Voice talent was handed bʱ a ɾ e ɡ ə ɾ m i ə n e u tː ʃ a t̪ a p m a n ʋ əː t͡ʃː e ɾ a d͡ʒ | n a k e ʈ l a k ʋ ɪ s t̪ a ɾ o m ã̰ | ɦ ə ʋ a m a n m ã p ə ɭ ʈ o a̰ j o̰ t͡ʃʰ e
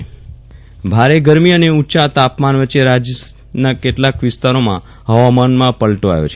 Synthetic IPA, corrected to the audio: bʱ a ɾ e ɡ ə ɾ m i ə n e u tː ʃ a t̪ a p m a n ʋ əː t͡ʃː e ɾ a d͡ʒ | n a k e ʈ l a k ʋ ɪ s t̪ a ɾ o m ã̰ | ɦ ə ʋ a m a n m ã p ə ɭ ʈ o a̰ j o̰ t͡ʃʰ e

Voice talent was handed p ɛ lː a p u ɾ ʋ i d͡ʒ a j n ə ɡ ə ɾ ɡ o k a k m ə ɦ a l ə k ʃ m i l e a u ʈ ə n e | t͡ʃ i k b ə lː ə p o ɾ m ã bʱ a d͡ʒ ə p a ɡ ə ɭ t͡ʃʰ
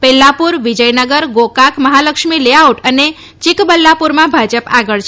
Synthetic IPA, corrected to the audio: p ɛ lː a p u ɾ ʋ i d͡ʒ ə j n ə ɡ ə ɾ ɡ o k a k m ə ɦ a l ə k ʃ m i l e a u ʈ ə n e | t͡ʃ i k b ə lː a p u ɾ m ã bʱ a d͡ʒ ə p a ɡ ə ɭ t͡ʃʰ

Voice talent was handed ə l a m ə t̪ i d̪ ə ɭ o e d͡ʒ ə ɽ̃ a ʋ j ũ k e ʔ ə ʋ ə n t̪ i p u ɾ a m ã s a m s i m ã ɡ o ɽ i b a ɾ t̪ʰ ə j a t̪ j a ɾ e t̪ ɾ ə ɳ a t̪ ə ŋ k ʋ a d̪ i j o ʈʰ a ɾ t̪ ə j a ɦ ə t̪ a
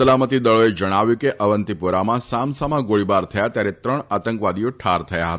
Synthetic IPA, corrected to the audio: ə l a m ə t̪ i d̪ ə ɭ o e d͡ʒ ə ɽ̃ a ʋ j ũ k e ʔ ə ʋ ə n t̪ i p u ɾ a m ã s a m s a m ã ɡ o ɭ i b a ɾ t̪ʰ ə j a t̪ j a ɾ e t̪ ɾ ə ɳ a t̪ ə ŋ k ʋ a d̪ i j o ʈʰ a ɾ t̪ʰ ə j a ɦ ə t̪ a

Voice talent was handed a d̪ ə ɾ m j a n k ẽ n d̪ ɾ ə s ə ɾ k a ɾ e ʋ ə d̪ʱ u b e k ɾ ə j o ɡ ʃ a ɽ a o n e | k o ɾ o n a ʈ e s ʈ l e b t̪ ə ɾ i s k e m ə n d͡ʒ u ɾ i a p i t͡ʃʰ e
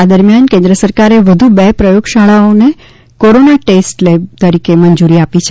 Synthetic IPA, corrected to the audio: a d̪ ə ɾ m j a n k ẽ n d̪ ɾ ə s ə ɾ k a ɾ e ʋ ə d̪ʱ u b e p ɾ ə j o ɡ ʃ a ɭ a o n e | k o ɾ o n a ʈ e s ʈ l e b t̪ ə ɾ i k e m ə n d͡ʒ u ɾ i a p i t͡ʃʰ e

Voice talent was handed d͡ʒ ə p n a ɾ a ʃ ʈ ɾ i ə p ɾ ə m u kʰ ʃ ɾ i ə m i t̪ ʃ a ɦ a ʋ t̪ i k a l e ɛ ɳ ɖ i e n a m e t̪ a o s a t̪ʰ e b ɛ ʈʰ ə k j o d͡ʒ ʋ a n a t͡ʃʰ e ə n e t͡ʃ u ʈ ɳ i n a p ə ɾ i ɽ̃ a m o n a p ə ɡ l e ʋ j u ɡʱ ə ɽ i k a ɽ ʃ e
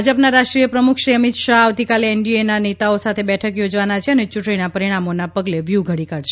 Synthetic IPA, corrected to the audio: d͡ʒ ə p n a ɾ a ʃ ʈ ɾ i ə p ɾ ə m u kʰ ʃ ɾ i ə m i t̪ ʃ a ɦ a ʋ t̪ i k a l e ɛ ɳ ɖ i e n a n e t̪ a o s a t̪ʰ e b ɛ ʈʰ ə k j o d͡ʒ ʋ a n a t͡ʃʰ e ə n e t͡ʃ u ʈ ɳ i n a p ə ɾ i ɽ̃ a m o n a p ə ɡ l e ʋ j u ɡʱ ə ɽ i k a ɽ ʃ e

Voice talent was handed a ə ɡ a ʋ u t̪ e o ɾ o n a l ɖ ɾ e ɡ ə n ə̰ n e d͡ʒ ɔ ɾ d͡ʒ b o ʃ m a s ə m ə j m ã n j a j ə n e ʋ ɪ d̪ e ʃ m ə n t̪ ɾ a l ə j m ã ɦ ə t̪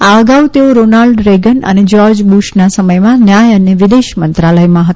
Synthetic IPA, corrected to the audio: a ə ɡ a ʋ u t̪ e o ɾ o n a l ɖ ɾ e ɡ ə n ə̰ n e d͡ʒ ɔ ɾ d͡ʒ b u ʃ n a s ə m ə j m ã n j a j ə n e ʋ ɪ d̪ e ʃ m ə n t̪ ɾ a l ə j m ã ɦ ə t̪

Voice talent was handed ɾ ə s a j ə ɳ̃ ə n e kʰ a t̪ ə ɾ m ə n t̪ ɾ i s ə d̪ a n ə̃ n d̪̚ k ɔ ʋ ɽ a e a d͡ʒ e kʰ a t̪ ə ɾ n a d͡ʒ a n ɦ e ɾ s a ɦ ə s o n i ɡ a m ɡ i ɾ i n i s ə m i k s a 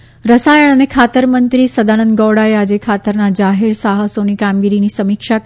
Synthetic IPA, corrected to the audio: ɾ ə s a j ə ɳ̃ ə n e kʰ a t̪ ə ɾ m ə n t̪ ɾ i s ə d̪ a n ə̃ n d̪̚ ɡ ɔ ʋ ɽ a e a d͡ʒ e kʰ a t̪ ə ɾ n a d͡ʒ a ɦ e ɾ s a ɦ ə s o n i k a m ɡ i ɾ i n i s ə m i k ʃ a

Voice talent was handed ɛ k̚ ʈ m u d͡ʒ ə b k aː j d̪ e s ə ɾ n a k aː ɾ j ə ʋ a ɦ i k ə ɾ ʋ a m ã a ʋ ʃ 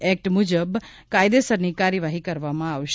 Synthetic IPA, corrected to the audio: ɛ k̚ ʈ m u d͡ʒ ə b k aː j d̪ e s ə ɾ n i k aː ɾ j ə ʋ a ɦ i k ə ɾ ʋ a m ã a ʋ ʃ

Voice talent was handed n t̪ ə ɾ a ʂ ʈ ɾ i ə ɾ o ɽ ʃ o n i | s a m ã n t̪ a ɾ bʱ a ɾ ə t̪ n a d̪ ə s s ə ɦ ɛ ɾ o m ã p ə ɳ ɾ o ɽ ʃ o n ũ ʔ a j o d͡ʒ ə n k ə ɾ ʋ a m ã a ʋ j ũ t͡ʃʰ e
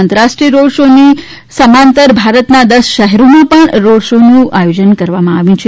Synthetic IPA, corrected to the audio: n t̪ ə ɾ a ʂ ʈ ɾ i ə ɾ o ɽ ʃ o n i | s ə m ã n t̪ ə ɾ bʱ a ɾ ə t̪ n a d̪ ə s ʃ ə ɦ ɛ ɾ o m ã p ə ɳ ɾ o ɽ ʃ o n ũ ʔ a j o d͡ʒ ə n k ə ɾ ʋ a m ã a ʋ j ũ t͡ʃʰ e

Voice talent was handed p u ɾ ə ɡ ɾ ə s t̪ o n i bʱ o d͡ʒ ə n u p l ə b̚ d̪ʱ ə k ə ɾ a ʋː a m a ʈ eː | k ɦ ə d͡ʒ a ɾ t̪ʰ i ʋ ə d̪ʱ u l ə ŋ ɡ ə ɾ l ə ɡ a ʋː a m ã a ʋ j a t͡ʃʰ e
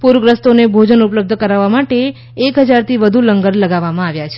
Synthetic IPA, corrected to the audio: p u ɾ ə ɡ ɾ ə s t̪ o n e bʱ o d͡ʒ ə n u p l ə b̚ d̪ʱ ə k ə ɾ a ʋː a m a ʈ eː | k ɦ ə d͡ʒ a ɾ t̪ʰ i ʋ ə d̪ʱ u l ə ŋ ɡ ə ɾ l ə ɡ a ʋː a m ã a ʋ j a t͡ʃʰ e

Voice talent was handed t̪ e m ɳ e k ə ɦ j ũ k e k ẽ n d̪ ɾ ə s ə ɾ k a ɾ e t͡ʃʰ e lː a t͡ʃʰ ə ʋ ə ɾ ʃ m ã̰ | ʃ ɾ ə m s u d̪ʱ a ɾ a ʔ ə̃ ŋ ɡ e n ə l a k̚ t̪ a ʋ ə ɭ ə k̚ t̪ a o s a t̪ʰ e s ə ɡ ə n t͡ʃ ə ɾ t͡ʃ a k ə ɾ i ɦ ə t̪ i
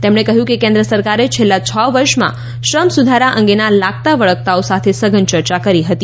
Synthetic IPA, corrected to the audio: t̪ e m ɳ e k ə ɦ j ũ k e k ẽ n d̪ ɾ ə s ə ɾ k a ɾ e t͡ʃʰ e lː a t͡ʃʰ ə ʋ ə ɾ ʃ m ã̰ | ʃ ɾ ə m s u d̪ʱ a ɾ a ʔ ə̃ ŋ ɡ e n a l a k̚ t̪ a ʋ ə ɭ ə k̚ t̪ a o s a t̪ʰ e s ə ɡ ə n t͡ʃ ə ɾ t͡ʃ a k ə ɾ i ɦ ə t̪ i

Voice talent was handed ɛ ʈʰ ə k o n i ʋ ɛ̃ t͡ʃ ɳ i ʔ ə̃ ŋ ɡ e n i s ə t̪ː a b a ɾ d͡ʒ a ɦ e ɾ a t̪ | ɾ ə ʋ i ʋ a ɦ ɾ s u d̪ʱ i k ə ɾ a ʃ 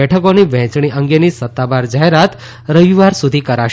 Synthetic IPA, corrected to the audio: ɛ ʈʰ ə k o n i ʋ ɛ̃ t͡ʃ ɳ i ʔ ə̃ ŋ ɡ e n i s ə t̪ː a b a ɾ d͡ʒ a ɦ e ɾ a t̪ | ɾ ə ʋ i ʋ a ɾ s u d̪ʱ i k ə ɾ a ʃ

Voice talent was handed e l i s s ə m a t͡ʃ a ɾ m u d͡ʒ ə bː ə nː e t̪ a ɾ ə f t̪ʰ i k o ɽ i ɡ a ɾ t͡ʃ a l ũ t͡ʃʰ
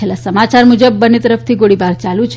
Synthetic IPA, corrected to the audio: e l a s s ə m a t͡ʃ a ɾ m u d͡ʒ ə bː ə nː e t̪ ə ɾ ə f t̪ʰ i ɡ o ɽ i b a ɾ t͡ʃ a l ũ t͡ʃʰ

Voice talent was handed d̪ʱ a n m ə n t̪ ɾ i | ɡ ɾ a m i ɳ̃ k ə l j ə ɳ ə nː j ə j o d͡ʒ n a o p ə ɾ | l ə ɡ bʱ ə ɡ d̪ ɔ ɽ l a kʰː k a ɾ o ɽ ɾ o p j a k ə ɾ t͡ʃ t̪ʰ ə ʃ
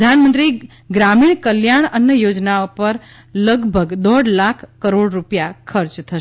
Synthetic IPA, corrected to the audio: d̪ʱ a n m ə n t̪ ɾ i | ɡ ɾ a m i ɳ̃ k ə l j a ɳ ə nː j ə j o d͡ʒ n a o p ə ɾ | l ə ɡ bʱ ə ɡ d̪ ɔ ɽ l a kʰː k ə ɾ o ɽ ɾ u p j a kʰ ə ɾ t͡ʃ t̪ʰ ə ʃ

